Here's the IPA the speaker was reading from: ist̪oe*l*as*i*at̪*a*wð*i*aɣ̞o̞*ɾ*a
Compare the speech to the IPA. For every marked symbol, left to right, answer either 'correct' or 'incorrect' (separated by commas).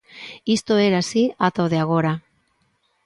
incorrect, correct, correct, incorrect, correct